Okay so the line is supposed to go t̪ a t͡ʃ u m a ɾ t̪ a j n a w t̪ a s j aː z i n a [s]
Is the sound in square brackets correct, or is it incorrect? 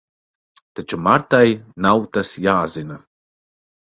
incorrect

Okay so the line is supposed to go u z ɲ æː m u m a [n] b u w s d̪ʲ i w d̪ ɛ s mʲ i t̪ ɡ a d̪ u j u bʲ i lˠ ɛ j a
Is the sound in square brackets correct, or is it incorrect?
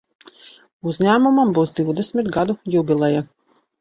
incorrect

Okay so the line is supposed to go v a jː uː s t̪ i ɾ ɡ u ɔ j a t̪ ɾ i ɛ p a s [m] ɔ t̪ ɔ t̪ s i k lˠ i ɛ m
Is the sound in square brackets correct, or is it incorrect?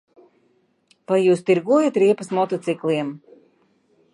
correct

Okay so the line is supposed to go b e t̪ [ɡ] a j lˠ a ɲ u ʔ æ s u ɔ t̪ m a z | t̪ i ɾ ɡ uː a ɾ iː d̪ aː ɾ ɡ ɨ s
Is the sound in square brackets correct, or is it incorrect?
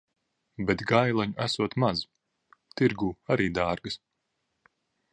correct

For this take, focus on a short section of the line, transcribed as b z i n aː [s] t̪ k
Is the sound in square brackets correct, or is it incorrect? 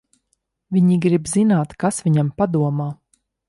incorrect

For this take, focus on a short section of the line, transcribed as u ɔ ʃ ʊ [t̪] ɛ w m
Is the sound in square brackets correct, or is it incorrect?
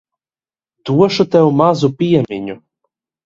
correct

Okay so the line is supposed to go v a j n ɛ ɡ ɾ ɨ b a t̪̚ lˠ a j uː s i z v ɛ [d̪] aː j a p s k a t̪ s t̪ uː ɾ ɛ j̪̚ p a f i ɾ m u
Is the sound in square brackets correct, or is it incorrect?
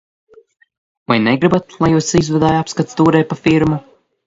correct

